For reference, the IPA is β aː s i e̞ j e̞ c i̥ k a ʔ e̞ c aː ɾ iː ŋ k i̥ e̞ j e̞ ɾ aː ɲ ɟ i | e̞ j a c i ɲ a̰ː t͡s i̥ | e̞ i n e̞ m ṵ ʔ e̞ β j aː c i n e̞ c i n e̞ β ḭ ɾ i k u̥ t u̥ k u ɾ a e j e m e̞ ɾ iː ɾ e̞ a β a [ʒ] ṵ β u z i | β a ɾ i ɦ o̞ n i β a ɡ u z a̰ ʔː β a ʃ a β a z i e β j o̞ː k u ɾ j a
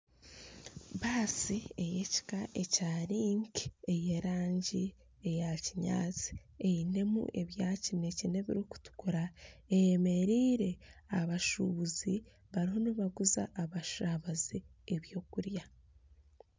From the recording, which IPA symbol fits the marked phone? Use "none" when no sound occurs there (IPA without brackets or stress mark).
ʃ